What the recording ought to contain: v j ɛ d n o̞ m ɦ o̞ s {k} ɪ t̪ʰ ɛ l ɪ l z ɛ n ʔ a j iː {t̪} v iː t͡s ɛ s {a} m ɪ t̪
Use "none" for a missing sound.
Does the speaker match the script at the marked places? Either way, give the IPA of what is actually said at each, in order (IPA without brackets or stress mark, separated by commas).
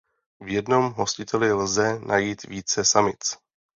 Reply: c, t̪, a